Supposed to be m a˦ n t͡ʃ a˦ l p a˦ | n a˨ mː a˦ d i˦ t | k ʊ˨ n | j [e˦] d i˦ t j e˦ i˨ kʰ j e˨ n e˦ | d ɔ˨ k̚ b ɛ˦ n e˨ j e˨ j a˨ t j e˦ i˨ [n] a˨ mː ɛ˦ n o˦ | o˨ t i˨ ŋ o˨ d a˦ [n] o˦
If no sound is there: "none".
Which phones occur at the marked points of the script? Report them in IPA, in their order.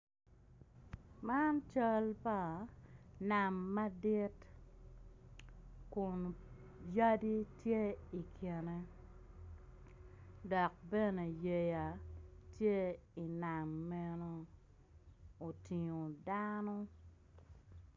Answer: a˦, n, n

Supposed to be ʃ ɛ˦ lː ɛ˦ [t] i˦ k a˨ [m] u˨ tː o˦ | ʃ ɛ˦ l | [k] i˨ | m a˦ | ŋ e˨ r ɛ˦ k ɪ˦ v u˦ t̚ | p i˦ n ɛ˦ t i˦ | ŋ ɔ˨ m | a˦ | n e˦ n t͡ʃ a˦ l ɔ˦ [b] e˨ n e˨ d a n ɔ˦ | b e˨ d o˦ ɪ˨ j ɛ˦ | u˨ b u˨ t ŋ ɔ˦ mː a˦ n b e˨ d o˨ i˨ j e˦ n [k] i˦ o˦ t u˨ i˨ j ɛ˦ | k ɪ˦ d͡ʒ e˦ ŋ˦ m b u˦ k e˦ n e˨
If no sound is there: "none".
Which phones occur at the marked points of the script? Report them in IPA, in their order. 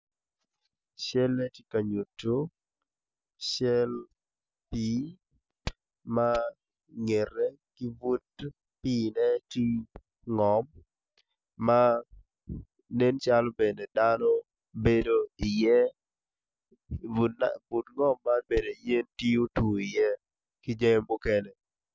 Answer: t, ɲ, p, b, t

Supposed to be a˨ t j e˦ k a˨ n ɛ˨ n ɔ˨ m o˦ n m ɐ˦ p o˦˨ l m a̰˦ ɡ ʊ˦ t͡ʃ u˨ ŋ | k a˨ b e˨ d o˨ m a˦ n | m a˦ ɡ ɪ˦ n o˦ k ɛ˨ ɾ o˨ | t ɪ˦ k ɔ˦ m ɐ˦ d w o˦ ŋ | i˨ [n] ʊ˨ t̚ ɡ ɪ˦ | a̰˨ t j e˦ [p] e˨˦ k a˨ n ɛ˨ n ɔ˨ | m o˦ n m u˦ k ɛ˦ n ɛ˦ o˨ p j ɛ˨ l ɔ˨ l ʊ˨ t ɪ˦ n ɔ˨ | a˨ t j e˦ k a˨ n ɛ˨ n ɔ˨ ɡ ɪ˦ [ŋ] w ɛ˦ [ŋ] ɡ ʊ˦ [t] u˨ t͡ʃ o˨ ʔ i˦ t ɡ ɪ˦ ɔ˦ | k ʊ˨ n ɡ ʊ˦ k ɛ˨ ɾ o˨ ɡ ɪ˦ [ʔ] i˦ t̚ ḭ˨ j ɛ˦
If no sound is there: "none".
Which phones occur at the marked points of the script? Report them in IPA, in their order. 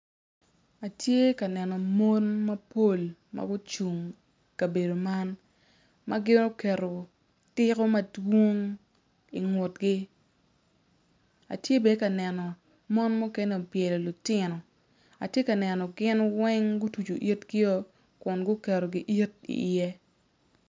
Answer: ŋ, b, n, ŋ, t, ʔ

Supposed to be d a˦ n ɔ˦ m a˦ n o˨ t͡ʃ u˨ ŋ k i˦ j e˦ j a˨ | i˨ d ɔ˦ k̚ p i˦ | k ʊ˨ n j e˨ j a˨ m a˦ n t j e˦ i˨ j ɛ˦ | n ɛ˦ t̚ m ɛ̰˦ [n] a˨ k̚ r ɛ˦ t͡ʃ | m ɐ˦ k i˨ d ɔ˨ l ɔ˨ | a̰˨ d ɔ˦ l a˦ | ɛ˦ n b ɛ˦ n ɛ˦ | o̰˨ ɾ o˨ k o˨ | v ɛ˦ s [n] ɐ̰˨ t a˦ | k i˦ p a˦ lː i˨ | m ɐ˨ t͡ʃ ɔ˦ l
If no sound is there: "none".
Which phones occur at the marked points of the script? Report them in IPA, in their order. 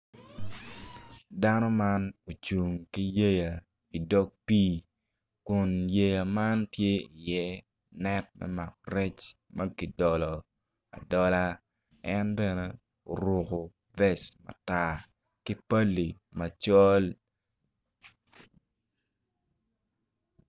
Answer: m, m

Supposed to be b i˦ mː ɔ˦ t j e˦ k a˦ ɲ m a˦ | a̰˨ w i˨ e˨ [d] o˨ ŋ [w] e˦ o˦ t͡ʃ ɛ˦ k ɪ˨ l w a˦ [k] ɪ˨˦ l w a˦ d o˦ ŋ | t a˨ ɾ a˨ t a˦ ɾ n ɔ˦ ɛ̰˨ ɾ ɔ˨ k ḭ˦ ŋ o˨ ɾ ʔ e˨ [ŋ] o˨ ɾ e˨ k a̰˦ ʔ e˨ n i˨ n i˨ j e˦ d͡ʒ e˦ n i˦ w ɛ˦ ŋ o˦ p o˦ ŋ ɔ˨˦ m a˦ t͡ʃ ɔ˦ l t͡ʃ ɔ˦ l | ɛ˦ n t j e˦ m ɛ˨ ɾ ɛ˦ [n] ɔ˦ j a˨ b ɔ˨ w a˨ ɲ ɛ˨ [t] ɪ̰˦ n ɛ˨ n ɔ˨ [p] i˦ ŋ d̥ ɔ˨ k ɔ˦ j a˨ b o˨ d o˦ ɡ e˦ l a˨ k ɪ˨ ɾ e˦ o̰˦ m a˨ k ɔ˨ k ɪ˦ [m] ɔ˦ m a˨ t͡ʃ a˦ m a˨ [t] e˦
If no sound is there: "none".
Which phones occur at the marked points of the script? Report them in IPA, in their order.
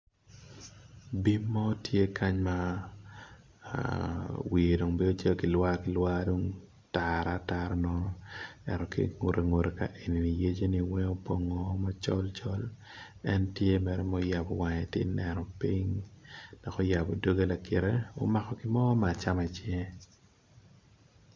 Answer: d, b, k, ŋ, m, t, p, m, t͡ʃ

